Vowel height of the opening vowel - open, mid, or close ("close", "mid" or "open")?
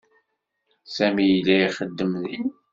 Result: open